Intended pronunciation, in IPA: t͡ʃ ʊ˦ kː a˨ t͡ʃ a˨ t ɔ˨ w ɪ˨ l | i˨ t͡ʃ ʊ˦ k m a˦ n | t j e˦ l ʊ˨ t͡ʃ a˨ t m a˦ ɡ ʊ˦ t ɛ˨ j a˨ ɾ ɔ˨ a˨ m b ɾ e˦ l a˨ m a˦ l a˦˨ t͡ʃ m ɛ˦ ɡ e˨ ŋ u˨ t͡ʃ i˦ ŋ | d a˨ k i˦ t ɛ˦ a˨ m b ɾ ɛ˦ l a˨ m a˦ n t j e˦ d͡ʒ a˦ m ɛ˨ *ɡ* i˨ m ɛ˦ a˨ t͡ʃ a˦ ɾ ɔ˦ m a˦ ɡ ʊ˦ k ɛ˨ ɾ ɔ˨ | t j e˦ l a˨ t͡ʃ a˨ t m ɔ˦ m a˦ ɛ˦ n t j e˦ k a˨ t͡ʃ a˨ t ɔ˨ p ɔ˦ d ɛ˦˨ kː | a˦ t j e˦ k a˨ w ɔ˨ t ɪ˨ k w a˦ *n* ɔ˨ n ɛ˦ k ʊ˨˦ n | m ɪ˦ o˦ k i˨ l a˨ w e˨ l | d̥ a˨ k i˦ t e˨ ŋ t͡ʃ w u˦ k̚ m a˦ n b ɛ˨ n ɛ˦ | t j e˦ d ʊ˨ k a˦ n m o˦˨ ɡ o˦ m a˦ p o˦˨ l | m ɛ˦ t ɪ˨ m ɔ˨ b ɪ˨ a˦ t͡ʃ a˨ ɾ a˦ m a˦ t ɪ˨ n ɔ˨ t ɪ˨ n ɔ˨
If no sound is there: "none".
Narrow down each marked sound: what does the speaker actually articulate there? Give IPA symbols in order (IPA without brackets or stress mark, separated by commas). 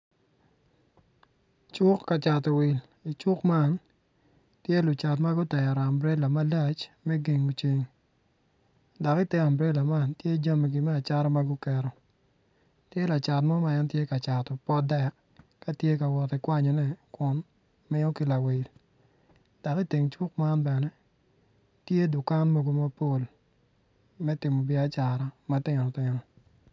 ɡ, ɲ